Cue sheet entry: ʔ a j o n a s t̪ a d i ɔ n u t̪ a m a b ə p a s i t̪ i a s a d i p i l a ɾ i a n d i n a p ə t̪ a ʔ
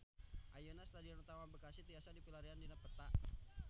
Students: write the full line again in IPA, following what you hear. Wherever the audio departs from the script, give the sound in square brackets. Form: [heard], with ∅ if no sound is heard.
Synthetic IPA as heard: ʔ a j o n a s t̪ a d i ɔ n u t̪ a m a b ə [k] a s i t̪ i a s a d i p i l a ɾ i a n d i n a p ə t̪ a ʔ